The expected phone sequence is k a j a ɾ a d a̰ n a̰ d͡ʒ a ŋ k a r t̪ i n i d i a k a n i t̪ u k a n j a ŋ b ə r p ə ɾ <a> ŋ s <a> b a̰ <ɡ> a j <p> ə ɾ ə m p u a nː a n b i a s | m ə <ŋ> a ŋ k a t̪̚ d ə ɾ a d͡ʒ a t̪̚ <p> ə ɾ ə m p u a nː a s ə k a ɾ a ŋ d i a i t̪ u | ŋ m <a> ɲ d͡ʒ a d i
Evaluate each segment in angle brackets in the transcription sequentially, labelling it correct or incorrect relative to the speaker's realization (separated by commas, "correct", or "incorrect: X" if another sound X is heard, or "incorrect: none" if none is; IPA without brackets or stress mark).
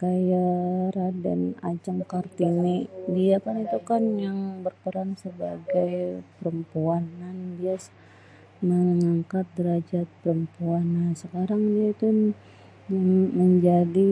correct, incorrect: ə, correct, correct, correct, correct, incorrect: ə